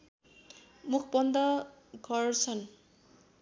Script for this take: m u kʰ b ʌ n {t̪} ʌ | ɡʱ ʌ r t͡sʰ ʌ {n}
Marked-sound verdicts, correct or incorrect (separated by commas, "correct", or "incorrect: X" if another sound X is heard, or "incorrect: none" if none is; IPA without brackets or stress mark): incorrect: d̪, correct